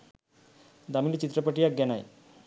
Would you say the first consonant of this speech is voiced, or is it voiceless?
voiced